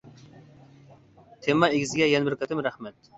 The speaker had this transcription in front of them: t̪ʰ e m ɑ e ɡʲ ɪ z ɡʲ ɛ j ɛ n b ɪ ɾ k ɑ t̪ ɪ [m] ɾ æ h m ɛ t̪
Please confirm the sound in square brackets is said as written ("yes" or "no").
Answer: yes